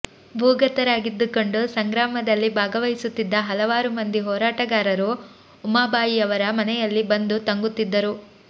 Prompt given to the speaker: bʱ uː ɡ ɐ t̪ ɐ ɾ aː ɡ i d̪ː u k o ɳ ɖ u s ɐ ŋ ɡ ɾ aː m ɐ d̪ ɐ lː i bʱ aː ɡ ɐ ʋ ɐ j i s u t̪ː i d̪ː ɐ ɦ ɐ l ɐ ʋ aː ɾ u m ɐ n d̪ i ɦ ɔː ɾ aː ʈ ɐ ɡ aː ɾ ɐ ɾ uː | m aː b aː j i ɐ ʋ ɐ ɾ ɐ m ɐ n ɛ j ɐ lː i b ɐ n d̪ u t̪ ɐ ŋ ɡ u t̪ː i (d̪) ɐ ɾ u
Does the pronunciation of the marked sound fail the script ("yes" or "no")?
yes